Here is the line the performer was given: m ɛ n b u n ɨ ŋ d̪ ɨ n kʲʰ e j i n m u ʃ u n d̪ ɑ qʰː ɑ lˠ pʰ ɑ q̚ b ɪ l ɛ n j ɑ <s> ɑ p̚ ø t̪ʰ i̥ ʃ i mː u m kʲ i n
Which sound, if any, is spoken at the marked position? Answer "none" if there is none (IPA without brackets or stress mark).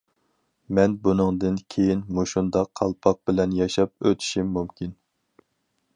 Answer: ʃ